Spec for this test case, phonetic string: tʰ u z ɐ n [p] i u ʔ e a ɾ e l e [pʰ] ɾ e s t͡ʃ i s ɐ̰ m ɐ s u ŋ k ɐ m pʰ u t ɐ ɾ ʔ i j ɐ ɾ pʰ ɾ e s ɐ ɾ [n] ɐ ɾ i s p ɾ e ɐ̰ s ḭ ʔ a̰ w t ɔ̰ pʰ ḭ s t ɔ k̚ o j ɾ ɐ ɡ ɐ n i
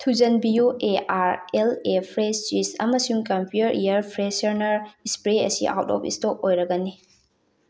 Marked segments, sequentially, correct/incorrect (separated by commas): incorrect, correct, correct